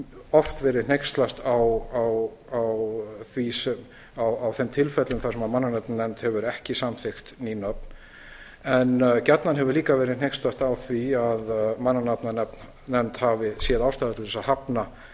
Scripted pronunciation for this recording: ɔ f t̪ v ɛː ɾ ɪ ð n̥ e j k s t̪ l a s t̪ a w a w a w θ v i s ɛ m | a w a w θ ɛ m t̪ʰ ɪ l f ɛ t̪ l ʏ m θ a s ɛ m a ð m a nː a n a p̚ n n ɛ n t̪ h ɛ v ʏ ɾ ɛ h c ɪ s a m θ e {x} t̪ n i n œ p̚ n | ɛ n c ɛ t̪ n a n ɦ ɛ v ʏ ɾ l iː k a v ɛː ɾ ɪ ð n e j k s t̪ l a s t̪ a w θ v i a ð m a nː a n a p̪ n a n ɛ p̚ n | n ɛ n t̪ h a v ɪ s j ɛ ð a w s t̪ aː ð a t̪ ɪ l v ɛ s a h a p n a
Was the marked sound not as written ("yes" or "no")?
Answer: no